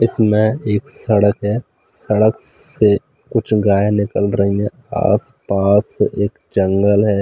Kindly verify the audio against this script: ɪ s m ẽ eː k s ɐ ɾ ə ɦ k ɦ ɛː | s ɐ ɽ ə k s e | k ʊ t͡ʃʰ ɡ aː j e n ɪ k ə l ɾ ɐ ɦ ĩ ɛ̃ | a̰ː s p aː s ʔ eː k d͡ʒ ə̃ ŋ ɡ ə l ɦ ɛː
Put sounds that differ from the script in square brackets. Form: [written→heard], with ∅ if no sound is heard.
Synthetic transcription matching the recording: ɪ s m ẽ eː k s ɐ [ɾ→ɽ] ə [ɦ→∅] k ɦ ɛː | s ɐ ɽ ə k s e | k ʊ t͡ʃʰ ɡ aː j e n ɪ k ə l ɾ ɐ ɦ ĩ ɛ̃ | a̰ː s p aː s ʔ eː k d͡ʒ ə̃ ŋ ɡ ə l ɦ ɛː